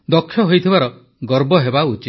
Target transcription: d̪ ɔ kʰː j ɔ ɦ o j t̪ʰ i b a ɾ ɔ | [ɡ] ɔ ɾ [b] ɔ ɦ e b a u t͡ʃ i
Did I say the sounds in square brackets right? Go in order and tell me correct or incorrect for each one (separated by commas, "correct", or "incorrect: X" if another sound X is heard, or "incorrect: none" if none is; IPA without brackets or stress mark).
correct, correct